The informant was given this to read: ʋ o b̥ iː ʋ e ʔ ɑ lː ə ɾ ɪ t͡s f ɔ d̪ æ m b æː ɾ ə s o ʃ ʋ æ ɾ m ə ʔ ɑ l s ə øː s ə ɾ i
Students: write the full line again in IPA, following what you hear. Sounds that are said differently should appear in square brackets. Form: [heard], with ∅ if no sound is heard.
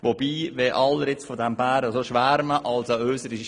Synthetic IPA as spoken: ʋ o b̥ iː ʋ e ʔ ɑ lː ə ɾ ɪ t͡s f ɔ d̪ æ m b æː ɾ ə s o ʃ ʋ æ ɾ m ə ʔ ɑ l s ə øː s ə ɾ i